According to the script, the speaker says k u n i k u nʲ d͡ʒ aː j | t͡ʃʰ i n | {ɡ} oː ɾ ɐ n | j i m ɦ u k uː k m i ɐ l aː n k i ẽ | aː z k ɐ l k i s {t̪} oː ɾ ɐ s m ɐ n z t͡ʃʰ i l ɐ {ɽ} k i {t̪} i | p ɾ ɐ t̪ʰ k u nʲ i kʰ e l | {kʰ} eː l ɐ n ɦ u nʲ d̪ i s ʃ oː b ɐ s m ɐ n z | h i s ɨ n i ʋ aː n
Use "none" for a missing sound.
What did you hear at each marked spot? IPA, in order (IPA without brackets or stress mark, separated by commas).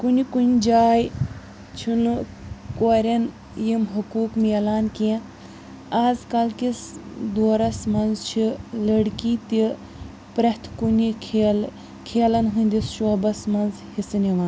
k, d̪, ɽ, t̪, kʰ